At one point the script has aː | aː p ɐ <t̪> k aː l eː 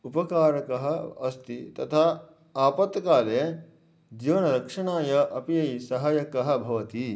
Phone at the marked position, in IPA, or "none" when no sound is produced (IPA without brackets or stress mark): t̪